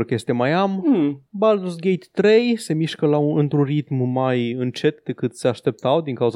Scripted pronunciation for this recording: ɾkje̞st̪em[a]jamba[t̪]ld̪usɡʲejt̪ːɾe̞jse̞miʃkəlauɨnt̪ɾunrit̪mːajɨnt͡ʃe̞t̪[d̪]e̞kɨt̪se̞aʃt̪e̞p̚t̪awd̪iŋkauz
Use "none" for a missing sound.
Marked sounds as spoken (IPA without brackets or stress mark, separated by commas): a, none, d̪